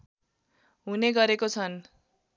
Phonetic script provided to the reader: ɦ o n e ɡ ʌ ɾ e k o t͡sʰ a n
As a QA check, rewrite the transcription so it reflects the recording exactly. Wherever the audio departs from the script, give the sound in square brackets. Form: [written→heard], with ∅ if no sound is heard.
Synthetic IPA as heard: ɦ [o→u] n e ɡ ʌ ɾ e k o t͡sʰ [a→ʌ] n